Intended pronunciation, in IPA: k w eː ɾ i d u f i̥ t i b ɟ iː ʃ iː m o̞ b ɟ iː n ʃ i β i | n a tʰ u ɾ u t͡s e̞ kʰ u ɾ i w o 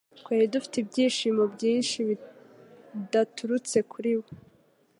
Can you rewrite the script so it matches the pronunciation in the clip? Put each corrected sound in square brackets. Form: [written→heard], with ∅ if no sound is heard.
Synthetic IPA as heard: k w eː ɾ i d u f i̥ t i b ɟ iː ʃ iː m o̞ b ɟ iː n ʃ i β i | [n→d] a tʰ u ɾ u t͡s e̞ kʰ u ɾ i w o